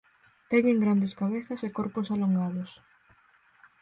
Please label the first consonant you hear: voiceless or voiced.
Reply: voiceless